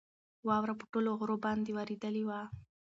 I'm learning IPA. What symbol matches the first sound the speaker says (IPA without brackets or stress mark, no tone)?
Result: w